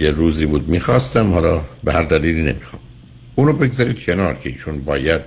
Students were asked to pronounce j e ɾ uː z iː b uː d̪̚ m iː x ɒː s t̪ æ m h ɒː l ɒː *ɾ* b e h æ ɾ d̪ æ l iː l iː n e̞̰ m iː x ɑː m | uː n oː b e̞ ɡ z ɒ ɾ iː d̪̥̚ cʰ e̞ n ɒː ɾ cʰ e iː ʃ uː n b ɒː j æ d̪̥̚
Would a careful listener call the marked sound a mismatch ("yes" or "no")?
yes